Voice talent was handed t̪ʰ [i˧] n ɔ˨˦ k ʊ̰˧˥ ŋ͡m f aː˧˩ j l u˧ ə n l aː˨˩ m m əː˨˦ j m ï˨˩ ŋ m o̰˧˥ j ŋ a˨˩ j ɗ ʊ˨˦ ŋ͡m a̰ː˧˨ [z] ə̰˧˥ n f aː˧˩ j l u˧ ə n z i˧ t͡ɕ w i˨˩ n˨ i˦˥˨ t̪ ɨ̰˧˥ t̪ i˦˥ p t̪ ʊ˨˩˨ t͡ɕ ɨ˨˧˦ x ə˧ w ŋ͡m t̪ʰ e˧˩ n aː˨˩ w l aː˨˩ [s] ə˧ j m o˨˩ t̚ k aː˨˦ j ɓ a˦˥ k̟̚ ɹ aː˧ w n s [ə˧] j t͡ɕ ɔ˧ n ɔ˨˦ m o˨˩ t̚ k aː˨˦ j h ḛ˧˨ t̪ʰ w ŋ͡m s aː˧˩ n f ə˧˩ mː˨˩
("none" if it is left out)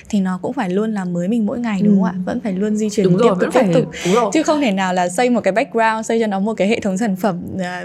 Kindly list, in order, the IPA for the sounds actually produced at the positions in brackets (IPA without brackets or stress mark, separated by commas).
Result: i˨˩, v, s, ə˧